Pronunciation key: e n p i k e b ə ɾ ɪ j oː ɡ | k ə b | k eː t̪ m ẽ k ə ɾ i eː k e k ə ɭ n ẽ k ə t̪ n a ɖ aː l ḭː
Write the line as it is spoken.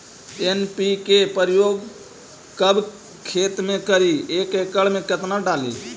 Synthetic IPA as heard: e n p i k e p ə ɾ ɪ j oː ɡ | k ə b | kʰ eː t̪ m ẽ k ə ɾ i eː k e k ə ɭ m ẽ k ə t̪ n a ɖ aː l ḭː